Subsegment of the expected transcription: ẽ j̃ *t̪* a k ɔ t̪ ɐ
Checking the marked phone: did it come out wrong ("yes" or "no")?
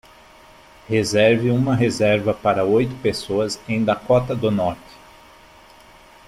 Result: yes